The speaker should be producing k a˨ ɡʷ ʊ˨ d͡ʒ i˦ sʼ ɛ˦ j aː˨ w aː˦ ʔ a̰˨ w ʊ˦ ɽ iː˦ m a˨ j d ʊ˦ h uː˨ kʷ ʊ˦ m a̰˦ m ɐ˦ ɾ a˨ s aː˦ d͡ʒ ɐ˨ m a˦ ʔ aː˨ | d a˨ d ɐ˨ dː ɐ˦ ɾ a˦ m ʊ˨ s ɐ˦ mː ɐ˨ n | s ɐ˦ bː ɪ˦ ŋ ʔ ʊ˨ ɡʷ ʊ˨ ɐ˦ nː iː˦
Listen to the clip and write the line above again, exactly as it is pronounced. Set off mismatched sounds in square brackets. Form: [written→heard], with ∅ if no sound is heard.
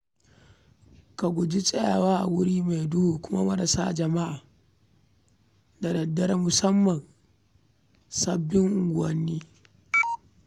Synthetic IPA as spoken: k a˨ ɡʷ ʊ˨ d͡ʒ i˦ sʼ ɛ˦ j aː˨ w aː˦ ʔ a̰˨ w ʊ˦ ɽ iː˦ m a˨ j d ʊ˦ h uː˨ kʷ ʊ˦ m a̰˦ m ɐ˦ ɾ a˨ s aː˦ d͡ʒ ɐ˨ m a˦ ʔ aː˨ | d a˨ d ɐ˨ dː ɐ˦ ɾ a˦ m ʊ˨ s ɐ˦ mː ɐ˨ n | s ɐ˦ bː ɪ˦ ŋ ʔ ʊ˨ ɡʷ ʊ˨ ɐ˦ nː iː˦